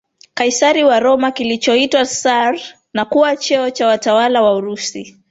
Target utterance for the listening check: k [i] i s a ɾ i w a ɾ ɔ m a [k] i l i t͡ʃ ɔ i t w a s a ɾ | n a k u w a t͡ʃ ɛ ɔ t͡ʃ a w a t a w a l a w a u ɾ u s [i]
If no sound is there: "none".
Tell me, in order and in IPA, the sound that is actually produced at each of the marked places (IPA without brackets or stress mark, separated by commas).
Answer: a, k, i